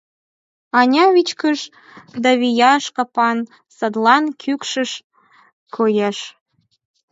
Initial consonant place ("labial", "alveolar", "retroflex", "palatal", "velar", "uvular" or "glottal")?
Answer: alveolar